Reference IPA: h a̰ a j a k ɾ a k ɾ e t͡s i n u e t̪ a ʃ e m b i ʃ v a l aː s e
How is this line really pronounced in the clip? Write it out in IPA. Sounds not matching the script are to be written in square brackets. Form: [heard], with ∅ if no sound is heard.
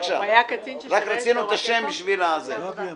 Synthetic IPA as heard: [ʃ] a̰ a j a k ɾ a k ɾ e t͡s i n u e t̪ a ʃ e m b i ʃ v [i] l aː [z] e